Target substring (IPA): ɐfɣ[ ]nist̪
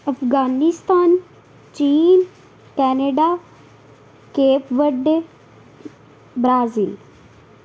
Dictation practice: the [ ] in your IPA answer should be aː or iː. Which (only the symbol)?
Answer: aː